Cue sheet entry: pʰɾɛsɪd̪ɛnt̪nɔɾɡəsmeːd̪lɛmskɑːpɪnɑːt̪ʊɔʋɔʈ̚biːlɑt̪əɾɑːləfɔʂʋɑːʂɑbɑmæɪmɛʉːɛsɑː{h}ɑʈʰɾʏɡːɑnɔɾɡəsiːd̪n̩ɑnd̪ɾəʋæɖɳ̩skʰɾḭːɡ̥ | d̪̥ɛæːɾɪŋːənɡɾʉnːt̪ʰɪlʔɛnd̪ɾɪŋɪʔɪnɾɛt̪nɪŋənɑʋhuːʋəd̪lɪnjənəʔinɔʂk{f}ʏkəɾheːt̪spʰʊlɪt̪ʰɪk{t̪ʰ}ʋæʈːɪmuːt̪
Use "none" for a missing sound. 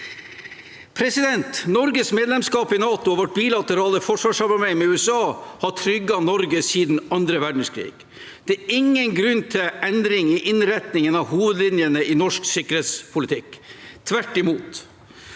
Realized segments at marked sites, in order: h, s, t̪ʰ

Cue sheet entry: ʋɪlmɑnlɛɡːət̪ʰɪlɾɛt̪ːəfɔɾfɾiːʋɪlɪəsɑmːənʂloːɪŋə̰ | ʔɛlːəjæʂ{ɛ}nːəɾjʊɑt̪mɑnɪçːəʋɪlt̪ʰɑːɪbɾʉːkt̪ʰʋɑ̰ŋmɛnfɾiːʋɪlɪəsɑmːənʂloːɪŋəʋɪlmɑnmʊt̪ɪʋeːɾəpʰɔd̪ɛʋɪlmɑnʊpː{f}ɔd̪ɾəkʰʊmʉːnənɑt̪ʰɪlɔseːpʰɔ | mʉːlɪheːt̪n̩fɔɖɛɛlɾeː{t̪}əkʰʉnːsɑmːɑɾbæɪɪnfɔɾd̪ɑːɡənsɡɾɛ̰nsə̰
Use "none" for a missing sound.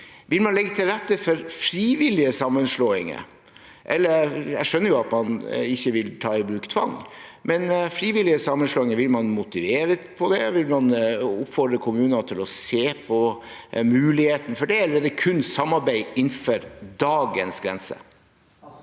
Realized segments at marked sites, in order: œ, f, d̪

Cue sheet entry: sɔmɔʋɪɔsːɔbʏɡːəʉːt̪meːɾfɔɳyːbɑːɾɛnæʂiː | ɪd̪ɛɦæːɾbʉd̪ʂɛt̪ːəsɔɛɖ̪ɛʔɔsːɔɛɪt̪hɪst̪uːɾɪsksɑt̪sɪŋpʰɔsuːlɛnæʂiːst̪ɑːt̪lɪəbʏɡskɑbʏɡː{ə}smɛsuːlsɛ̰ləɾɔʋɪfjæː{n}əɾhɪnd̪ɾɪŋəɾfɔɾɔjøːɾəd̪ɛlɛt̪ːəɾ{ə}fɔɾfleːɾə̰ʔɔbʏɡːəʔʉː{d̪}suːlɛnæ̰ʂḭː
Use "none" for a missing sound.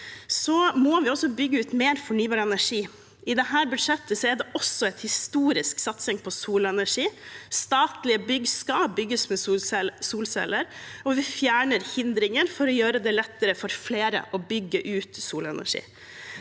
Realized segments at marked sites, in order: ə, ɳ, ə, t̪

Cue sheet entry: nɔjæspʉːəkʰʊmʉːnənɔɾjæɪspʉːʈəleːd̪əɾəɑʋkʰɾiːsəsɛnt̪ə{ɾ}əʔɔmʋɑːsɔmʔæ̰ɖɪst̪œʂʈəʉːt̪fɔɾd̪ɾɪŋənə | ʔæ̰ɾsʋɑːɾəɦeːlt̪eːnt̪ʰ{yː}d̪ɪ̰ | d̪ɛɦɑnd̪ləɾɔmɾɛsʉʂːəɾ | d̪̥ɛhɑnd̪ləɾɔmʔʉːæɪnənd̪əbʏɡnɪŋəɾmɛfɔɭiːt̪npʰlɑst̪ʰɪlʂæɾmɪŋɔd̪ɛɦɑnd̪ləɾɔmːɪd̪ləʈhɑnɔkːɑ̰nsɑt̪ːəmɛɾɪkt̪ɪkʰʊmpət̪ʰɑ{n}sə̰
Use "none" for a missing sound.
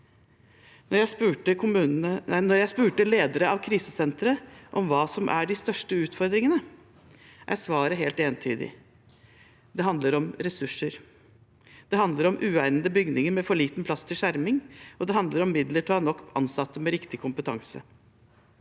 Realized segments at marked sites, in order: ɾ, yː, ŋ

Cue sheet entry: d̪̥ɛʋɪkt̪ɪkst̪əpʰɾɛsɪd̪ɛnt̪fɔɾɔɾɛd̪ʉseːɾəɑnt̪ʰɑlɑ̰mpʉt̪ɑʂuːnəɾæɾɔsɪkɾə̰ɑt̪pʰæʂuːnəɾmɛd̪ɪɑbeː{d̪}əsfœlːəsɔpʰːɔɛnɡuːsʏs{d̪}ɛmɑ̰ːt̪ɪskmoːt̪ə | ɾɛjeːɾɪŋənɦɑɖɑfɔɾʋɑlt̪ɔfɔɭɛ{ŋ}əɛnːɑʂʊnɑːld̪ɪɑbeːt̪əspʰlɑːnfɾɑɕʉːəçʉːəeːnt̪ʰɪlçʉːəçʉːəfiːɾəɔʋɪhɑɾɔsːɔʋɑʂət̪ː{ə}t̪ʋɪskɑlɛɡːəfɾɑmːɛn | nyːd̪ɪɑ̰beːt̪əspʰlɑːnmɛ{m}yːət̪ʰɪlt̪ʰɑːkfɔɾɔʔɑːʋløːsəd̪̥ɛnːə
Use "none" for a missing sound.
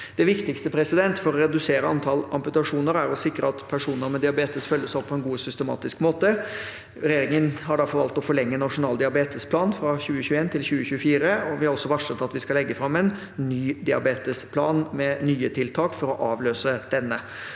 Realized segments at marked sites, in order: t̪, t̪, ŋː, ɑ, n

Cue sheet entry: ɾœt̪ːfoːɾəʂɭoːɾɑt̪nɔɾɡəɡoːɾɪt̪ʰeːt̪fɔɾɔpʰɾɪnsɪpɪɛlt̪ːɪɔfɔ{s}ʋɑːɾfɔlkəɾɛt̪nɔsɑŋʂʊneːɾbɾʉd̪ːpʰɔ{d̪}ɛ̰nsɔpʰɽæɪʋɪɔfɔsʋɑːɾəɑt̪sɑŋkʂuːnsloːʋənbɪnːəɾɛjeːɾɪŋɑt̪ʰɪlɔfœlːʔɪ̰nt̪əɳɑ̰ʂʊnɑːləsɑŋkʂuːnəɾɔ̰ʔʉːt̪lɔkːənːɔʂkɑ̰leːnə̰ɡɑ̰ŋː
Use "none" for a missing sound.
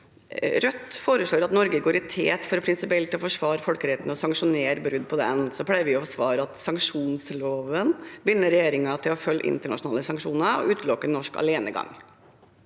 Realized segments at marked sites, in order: ʂ, d̪

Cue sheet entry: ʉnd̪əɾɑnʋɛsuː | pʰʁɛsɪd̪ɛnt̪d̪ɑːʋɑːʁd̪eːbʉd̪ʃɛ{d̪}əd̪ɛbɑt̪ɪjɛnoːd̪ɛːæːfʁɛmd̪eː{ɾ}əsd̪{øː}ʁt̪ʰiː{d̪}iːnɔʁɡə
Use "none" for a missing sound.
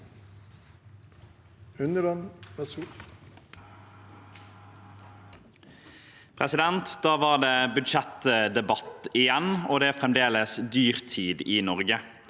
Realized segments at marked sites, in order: t̪, l, yː, d̪

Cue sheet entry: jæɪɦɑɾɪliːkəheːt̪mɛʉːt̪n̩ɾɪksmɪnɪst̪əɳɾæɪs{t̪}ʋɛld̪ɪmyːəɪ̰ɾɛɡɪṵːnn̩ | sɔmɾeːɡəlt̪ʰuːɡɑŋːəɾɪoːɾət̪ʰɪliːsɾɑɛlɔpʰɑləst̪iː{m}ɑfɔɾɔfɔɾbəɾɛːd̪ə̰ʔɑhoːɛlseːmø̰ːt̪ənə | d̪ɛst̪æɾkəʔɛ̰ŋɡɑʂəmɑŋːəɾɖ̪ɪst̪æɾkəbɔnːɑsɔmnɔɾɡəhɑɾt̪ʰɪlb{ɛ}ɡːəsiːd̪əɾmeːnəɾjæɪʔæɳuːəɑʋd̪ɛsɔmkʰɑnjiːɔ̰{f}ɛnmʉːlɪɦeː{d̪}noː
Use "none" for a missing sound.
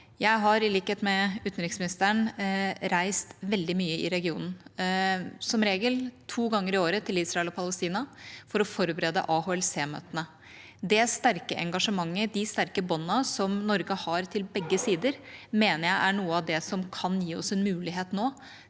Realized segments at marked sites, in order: t̪, n, ɛ, s, t̪

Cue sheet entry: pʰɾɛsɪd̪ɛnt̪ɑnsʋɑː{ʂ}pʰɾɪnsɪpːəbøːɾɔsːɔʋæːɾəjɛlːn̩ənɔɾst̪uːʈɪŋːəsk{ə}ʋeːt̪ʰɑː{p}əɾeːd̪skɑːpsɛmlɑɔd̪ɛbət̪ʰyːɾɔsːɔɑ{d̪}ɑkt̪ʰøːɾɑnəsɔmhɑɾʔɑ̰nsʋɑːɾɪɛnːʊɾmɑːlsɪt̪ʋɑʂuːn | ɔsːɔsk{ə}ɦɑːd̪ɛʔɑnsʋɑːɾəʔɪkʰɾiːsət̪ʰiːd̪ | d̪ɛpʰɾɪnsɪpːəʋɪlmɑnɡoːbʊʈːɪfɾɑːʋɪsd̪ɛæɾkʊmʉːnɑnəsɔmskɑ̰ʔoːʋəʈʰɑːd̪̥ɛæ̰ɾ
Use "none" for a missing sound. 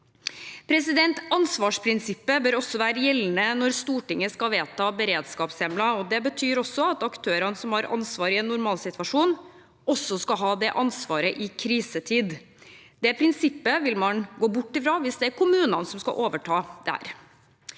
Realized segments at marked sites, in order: ʂ, ɑ, b, t̪, ɑ

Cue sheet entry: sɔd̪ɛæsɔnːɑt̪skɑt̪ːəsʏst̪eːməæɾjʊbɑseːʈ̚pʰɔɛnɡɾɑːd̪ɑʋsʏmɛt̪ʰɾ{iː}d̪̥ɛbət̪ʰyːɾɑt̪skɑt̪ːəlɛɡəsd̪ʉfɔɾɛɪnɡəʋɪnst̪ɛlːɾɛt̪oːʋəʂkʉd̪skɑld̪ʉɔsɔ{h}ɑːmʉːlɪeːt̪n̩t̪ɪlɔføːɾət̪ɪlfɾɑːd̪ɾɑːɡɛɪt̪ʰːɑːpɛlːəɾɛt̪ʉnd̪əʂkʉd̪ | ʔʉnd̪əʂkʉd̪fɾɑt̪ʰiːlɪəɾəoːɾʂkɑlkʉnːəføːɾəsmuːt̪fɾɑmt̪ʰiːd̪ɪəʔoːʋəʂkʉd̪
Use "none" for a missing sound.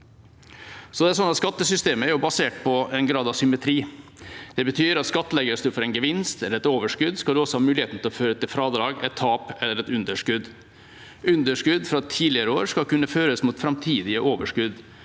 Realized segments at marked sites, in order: iː, h

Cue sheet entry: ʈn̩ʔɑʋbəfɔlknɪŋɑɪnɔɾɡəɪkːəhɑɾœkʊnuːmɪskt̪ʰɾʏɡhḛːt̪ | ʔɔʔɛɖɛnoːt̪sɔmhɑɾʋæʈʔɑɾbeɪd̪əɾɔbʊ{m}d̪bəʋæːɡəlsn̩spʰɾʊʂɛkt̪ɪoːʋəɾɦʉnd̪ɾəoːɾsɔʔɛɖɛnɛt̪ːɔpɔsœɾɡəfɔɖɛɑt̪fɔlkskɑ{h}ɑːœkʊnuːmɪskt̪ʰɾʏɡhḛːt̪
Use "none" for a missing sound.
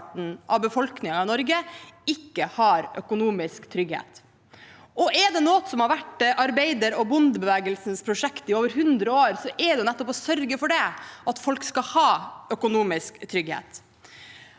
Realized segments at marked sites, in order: n, h

